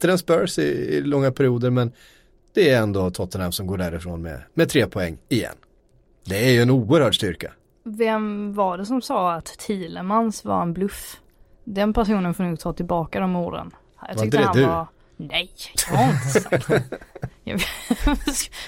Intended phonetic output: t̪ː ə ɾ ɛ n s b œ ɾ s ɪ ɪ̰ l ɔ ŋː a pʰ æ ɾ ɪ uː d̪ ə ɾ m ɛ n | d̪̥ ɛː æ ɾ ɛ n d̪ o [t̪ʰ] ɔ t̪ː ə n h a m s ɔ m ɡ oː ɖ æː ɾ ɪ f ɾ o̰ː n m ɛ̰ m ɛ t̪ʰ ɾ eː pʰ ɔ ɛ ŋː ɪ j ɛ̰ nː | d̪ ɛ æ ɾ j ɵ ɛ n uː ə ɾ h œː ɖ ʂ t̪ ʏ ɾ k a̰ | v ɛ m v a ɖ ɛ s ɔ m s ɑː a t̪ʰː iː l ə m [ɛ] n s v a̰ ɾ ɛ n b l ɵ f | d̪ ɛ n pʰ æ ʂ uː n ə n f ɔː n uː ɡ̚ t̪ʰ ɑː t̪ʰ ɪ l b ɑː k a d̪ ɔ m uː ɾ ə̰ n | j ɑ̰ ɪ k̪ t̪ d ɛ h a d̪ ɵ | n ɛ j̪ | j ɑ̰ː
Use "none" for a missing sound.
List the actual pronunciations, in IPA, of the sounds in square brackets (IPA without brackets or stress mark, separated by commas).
t̪ʰ, a